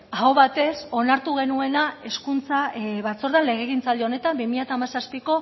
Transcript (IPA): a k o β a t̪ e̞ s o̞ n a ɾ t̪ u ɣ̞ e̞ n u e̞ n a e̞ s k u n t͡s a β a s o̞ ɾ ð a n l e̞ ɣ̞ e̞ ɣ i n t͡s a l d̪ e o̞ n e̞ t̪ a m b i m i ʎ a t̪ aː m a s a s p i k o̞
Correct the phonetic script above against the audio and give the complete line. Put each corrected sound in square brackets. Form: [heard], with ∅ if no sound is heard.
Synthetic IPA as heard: a [∅] o β a t̪ e̞ s o̞ n a ɾ t̪ u ɣ̞ e̞ n u e̞ n a e̞ s k u n t͡s a β a [t͡s] o̞ ɾ ð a n l e̞ ɣ̞ e̞ ɣ i n t͡s a l d̪ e o̞ n e̞ t̪ a m b i m i ʎ a t̪ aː m a s a s p i k o̞